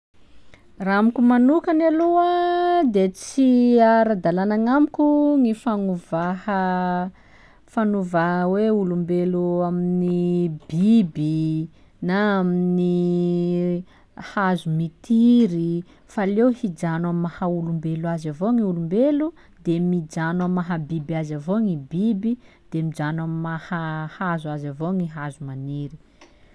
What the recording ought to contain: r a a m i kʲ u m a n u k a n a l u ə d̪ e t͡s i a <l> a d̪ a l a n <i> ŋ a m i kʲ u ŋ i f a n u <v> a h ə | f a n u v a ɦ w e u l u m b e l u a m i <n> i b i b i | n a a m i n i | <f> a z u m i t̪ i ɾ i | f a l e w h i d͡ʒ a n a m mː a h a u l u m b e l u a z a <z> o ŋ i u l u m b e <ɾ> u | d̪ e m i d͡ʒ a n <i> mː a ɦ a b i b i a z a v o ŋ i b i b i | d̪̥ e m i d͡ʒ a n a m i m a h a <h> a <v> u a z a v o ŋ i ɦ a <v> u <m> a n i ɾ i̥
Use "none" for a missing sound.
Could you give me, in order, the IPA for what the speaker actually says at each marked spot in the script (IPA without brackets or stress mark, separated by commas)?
ɾ, a, v, n, h, v, l, a, h, z, z, m